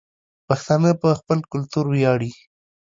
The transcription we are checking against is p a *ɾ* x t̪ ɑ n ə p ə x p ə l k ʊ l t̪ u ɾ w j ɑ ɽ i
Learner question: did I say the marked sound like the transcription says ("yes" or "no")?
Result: no